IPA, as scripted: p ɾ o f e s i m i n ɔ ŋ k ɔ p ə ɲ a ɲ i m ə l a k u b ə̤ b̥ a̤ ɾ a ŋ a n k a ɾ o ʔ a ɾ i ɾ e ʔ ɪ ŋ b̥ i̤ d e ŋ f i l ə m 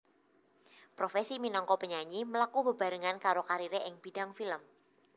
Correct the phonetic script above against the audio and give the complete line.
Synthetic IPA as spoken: p ɾ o f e s i m i n ɔ ŋ k ɔ p ə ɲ a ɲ i m ə l a k u b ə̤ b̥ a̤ ɾ ə ŋ a n k a ɾ o k a ɾ i ɾ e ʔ ɪ ŋ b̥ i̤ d a ŋ f i l ə m